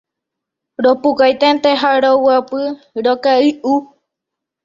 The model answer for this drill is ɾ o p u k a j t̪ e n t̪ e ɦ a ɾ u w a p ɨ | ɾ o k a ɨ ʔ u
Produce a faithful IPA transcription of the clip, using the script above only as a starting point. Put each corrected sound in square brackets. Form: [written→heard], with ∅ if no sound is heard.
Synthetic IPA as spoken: ɾ o p u k a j t̪ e n t̪ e ɦ a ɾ [u→o] w a p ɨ | ɾ o k a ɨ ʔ u